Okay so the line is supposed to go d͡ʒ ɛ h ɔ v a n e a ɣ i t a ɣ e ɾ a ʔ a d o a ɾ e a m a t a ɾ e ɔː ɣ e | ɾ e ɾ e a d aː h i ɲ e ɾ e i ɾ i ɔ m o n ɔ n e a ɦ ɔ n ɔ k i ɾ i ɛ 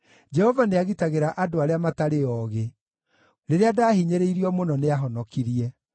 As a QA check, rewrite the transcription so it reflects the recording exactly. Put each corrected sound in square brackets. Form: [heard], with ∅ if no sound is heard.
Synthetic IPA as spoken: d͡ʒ ɛ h ɔ v a n e a ɣ i t a ɣ e ɾ a ʔ a d o a ɾ e a m a t a ɾ e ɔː ɣ e | ɾ e ɾ e a d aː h i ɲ e ɾ e i ɾ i ɔ m o n ɔ n e a ɦ ɔ n ɔ k i ɾ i ɛ